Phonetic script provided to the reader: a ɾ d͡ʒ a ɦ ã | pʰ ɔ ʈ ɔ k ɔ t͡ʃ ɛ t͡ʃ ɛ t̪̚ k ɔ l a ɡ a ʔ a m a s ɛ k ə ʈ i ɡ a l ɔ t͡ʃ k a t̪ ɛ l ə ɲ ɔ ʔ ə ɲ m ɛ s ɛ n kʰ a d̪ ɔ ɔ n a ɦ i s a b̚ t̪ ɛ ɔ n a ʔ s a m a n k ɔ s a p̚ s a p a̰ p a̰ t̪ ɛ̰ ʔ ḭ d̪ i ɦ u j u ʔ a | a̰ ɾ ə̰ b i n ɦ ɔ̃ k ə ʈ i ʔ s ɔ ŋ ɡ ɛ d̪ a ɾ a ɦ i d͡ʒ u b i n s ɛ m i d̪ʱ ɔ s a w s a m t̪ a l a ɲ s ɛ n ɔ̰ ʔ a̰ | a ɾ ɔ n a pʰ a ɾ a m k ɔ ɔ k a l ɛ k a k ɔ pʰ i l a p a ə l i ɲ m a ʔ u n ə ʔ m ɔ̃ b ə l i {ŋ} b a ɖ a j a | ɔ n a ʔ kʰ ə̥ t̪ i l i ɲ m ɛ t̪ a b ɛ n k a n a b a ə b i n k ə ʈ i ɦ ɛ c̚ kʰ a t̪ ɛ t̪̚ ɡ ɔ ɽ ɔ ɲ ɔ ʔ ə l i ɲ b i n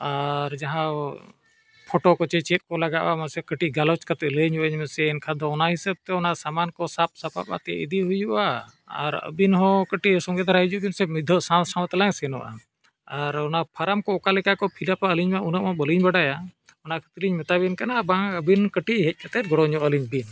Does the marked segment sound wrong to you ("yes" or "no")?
yes